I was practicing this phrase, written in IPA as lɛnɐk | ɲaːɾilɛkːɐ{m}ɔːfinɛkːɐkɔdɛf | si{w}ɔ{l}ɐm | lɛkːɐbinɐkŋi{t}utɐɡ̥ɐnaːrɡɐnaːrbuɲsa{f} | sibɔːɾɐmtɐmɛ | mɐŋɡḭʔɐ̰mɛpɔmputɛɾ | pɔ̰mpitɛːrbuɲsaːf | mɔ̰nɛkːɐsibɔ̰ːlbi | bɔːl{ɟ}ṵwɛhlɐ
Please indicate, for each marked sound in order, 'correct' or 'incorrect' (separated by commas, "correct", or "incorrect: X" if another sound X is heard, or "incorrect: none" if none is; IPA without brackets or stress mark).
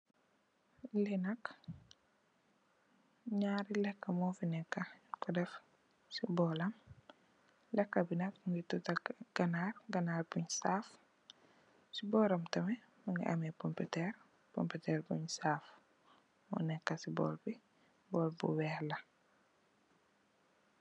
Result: correct, incorrect: b, correct, correct, correct, incorrect: b